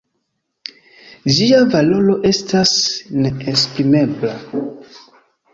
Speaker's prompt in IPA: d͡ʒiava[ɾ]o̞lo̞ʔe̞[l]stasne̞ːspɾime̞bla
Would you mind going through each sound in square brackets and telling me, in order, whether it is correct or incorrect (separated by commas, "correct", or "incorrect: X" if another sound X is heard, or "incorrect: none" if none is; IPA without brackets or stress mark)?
incorrect: l, incorrect: none